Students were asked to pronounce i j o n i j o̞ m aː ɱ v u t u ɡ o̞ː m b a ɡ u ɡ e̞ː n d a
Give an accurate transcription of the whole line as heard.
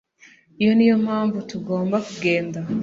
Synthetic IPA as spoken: i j o n i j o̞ m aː ɱ v u t u ɡ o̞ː m b a k u ɡ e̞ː n d a